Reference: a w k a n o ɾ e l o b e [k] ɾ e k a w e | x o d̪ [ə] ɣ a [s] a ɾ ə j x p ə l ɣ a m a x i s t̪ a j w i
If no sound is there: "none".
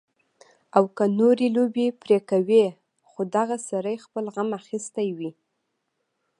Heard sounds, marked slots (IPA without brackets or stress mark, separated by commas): p, a, s